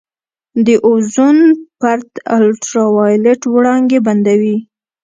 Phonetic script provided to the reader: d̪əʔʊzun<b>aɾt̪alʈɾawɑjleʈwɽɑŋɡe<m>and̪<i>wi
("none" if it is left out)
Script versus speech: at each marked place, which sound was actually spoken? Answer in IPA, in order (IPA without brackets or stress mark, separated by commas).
p, b, a